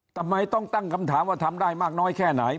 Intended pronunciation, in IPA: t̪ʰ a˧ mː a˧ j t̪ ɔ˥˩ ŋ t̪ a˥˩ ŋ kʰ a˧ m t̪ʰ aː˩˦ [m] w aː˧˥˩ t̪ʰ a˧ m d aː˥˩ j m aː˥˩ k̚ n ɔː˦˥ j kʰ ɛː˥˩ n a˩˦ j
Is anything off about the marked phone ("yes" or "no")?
no